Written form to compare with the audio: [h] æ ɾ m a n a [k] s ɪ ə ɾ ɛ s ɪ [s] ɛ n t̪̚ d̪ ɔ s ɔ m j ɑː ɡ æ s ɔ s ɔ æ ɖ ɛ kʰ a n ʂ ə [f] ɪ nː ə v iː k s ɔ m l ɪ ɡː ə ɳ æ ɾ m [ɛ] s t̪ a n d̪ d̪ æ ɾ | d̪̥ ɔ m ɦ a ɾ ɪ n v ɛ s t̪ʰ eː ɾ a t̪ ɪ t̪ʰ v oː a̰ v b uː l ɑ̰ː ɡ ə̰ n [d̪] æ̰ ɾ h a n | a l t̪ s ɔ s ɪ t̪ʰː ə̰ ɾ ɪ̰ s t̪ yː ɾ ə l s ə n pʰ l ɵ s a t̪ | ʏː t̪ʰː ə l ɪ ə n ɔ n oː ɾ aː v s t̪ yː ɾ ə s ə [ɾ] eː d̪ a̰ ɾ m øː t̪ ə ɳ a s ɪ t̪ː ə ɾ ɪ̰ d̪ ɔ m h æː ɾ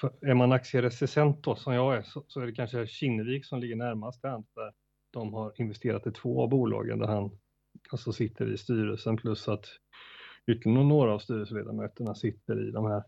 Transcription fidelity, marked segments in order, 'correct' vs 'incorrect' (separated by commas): incorrect, correct, correct, incorrect, incorrect, correct, incorrect